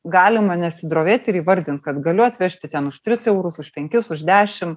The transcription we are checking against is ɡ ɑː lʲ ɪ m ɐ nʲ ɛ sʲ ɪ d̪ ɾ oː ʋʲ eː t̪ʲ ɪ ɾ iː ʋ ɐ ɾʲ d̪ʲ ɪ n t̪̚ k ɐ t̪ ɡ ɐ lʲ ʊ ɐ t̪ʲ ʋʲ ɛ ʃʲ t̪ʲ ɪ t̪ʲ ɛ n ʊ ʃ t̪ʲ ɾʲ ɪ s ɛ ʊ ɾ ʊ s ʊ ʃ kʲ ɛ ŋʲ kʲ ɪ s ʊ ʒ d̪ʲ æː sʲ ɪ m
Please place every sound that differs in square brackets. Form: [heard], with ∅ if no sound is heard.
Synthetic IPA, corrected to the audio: ɡ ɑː lʲ ɪ m ɐ nʲ ɛ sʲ ɪ d̪ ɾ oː ʋʲ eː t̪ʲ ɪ ɾ iː ʋ ɐ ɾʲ d̪ʲ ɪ n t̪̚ k ɐ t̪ ɡ ɐ lʲ ʊ ɐ t̪ʲ ʋʲ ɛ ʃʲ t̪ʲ ɪ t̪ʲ ɛ n ʊ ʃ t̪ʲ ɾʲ ɪ s ɛ ʊ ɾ ʊ s ʊ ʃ [pʲ] ɛ ŋʲ kʲ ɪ s ʊ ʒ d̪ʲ æː [ʃʲ] ɪ m